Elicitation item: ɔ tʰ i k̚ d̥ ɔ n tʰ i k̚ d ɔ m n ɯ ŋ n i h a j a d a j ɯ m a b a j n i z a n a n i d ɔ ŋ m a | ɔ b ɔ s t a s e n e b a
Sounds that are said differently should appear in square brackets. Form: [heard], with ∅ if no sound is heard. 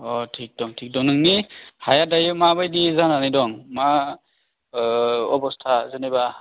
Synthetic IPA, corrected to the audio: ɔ tʰ i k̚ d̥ ɔ [ŋ] tʰ i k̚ d ɔ [ŋ] n ɯ ŋ n i h a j a d a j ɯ m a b a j [d] i z a n a n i d ɔ ŋ m a | ɔ b ɔ s [tʰ] a [z] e n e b a